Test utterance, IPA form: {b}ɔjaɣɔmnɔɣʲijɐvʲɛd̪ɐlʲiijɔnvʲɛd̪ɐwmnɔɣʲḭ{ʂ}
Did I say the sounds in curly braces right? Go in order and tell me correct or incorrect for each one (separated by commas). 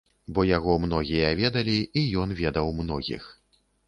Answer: correct, incorrect